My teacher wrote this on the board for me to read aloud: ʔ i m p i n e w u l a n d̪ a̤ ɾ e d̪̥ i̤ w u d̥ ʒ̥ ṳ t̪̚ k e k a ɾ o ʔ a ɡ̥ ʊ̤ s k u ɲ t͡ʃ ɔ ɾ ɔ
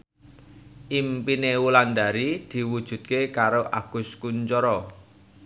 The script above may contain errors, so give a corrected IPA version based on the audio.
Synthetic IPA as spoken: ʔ i m p i n e w u l a n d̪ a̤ ɾ i d̪̥ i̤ w u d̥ ʒ̥ ṳ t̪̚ k e k a ɾ o ʔ a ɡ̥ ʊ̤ s k u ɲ t͡ʃ ɔ ɾ ɔ